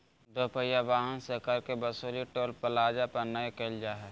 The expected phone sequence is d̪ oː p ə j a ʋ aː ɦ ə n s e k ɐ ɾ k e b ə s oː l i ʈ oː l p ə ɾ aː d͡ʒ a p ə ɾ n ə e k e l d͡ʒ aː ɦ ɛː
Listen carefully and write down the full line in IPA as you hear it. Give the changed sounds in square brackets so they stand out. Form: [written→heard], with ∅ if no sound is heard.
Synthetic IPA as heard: d̪ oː p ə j a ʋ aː ɦ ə n s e k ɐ ɾ k e b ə s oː l i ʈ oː l p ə [ɾ→l] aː d͡ʒ a p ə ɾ n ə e k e l d͡ʒ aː ɦ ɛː